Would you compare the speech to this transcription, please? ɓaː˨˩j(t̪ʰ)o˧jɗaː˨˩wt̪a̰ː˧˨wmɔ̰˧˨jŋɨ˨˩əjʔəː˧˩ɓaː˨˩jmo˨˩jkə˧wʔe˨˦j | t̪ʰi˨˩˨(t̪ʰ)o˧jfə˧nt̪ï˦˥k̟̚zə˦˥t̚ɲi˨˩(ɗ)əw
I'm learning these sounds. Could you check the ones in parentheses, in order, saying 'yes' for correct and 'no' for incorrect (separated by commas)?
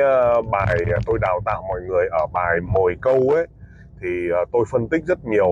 no, no, no